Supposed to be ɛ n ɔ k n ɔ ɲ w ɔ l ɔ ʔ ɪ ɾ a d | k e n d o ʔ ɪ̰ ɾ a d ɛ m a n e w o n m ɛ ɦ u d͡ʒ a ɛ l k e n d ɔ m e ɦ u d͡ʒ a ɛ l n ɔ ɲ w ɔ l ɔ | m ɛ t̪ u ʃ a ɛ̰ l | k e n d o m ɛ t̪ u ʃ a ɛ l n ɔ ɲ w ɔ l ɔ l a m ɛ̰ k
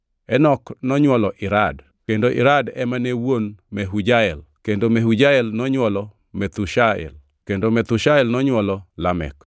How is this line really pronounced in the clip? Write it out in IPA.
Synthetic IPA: ɛ n ɔ k n ɔ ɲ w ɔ l ɔ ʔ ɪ ɾ a d | k e n d o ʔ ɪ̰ ɾ a d ɛ m a n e w o n m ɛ ɦ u d͡ʒ a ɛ l k e n d o m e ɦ u d͡ʒ a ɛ l n ɔ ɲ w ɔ l ɔ | m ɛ t̪ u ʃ a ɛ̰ l | k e n d o m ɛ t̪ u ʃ a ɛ l n ɔ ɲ w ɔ l ɔ l a m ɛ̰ k